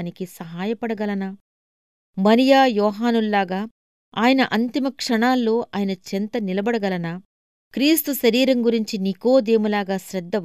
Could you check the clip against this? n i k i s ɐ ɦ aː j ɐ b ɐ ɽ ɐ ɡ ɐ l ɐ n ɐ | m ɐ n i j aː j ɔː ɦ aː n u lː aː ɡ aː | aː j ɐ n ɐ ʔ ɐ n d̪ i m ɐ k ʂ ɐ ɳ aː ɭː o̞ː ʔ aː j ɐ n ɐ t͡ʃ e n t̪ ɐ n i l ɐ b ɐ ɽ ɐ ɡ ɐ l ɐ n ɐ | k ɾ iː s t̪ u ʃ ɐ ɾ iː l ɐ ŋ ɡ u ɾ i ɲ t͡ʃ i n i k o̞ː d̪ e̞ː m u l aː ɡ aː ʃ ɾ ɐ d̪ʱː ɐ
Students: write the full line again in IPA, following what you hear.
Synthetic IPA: n i k i s ɐ ɦ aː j ɐ p ɐ ɽ ɐ ɡ ɐ l ɐ n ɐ | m ɐ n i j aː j ɔː ɦ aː n u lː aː ɡ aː | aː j ɐ n ɐ ʔ ɐ n t̪ i m ɐ k ʂ ɐ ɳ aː lː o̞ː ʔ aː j ɐ n ɐ t͡ʃ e n t̪ ɐ n i l ɐ b ɐ ɽ ɐ ɡ ɐ l ɐ n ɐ | k ɾ iː s t̪ u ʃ ɐ ɾ iː ɾ ɐ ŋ ɡ u ɾ i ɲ t͡ʃ i n i k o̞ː d̪ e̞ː m u l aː ɡ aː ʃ ɾ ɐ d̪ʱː ɐ